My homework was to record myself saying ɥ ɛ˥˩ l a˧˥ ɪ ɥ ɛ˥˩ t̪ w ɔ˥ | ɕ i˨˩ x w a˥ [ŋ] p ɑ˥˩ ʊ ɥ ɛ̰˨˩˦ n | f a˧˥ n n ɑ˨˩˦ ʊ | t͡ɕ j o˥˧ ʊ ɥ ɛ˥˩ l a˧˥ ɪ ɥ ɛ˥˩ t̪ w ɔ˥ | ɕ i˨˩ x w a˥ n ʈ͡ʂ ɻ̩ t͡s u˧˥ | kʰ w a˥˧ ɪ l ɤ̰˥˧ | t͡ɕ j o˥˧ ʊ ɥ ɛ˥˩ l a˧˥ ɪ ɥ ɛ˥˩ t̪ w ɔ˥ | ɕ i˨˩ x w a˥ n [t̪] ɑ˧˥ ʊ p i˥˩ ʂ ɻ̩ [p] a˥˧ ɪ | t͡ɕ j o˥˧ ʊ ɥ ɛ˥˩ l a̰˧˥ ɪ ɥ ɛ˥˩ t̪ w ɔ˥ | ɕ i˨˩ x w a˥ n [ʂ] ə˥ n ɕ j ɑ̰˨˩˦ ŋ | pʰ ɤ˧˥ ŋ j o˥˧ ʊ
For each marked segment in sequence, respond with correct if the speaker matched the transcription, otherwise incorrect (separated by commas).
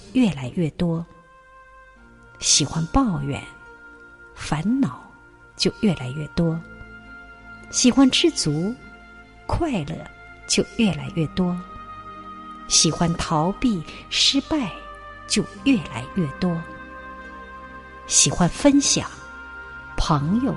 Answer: incorrect, incorrect, correct, incorrect